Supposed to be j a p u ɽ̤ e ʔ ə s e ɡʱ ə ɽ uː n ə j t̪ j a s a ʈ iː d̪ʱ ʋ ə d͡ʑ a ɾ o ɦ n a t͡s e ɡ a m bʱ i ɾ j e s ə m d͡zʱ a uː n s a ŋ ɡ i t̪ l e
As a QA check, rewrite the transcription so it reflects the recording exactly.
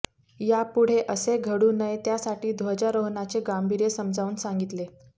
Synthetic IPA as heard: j a p u ɽ̤ e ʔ ə s e ɡʱ ə ɽ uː n ə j t̪ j a s a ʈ iː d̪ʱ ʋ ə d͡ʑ a ɾ o ɦ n a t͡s e ɡ a m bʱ i ɾ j e s ə m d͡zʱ a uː n s a ŋ ɡ i t̪ l e